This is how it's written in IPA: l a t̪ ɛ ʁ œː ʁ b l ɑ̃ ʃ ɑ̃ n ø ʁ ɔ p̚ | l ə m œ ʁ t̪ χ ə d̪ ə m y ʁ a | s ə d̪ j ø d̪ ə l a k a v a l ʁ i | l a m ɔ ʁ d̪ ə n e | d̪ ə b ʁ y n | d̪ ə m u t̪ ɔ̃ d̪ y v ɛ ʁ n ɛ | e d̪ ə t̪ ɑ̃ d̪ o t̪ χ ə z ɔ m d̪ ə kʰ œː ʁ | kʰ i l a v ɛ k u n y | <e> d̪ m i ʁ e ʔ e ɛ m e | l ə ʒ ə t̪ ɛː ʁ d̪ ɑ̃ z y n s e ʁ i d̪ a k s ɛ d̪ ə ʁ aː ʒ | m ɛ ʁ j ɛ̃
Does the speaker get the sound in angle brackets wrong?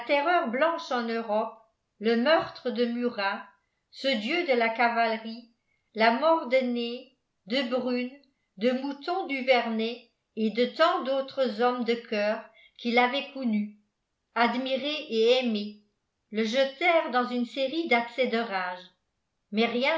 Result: yes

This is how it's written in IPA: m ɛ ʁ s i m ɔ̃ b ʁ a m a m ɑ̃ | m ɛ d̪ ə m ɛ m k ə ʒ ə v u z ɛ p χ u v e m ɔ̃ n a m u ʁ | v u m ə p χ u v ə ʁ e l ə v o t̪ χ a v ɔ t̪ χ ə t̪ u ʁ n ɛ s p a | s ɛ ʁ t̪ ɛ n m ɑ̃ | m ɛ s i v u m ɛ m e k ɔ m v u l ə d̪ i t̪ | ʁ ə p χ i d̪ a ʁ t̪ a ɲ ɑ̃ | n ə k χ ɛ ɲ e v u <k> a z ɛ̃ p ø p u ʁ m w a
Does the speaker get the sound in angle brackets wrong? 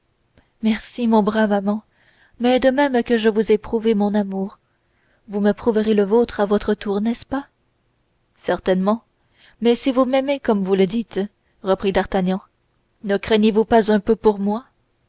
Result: yes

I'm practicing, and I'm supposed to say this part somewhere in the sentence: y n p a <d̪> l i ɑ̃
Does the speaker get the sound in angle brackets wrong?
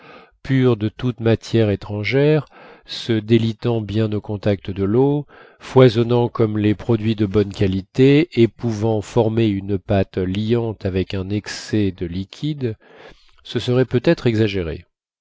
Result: yes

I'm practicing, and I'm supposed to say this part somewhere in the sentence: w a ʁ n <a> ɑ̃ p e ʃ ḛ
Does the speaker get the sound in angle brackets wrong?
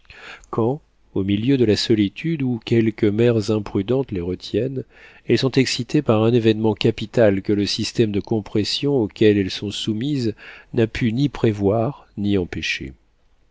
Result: yes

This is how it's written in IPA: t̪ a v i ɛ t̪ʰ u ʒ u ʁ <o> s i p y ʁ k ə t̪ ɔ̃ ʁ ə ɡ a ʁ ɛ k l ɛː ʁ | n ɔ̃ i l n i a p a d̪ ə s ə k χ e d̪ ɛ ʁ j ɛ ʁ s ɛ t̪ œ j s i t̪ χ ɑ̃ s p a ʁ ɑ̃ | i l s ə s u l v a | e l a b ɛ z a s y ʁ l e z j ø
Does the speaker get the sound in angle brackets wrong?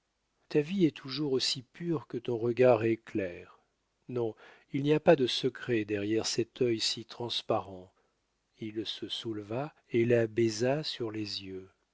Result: no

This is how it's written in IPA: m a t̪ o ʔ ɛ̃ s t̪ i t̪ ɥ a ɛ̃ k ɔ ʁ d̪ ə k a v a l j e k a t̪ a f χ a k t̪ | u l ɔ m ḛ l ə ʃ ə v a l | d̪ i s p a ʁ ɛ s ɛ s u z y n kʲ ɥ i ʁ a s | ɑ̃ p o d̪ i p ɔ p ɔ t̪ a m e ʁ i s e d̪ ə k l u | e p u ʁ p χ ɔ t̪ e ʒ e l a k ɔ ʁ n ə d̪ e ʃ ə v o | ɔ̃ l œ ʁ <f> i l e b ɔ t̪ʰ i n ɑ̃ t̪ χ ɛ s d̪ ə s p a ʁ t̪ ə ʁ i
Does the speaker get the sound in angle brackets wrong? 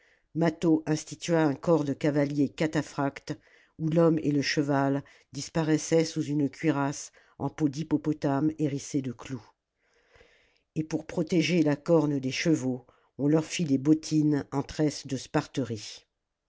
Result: no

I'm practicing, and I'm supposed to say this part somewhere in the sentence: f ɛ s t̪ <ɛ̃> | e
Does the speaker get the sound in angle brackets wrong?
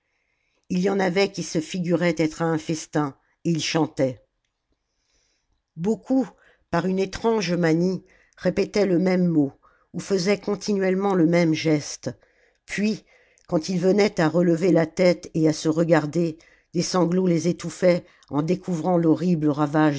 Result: no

